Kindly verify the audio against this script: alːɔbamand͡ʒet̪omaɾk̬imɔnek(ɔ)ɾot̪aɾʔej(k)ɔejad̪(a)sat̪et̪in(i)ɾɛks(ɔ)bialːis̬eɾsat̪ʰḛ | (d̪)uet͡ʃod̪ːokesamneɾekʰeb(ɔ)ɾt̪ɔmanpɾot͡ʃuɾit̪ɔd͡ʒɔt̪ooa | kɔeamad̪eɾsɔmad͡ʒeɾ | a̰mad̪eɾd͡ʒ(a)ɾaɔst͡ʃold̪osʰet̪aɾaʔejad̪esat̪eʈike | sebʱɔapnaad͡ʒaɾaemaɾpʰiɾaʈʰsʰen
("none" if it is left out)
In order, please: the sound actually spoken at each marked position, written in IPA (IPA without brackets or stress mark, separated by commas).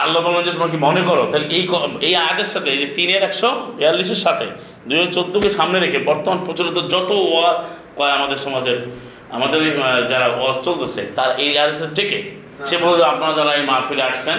ɔ, k, e, e, ɔ, d̪, ɔ, a